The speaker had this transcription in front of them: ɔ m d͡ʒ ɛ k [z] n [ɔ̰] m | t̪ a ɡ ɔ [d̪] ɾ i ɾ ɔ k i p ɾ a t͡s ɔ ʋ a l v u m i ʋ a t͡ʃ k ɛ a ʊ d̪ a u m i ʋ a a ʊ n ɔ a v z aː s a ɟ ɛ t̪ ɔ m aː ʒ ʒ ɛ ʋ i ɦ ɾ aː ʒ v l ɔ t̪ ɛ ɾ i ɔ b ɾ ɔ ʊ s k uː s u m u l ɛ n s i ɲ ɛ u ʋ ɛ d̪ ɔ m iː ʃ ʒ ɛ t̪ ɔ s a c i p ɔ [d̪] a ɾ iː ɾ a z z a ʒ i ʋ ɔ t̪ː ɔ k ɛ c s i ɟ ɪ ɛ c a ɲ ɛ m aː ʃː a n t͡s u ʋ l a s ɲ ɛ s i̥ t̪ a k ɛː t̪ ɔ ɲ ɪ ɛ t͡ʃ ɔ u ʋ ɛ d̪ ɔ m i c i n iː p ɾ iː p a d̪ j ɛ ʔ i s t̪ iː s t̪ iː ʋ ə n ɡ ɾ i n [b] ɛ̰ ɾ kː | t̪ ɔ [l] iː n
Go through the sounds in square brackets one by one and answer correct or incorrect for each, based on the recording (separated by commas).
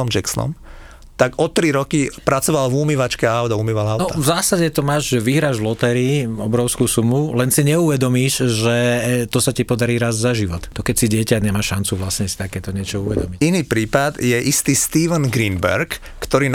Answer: incorrect, correct, incorrect, correct, correct, incorrect